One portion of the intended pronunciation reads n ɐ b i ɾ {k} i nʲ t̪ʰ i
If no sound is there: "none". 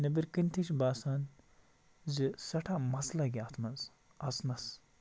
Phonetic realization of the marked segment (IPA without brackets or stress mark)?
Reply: k